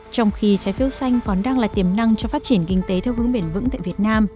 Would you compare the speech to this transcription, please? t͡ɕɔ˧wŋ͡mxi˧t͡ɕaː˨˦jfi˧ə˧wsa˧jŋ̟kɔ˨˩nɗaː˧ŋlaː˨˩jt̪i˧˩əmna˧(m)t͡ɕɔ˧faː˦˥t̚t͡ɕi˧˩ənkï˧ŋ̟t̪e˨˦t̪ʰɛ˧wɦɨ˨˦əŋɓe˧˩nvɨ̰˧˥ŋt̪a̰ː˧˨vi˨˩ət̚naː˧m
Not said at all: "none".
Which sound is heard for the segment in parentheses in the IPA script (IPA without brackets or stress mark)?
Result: ŋ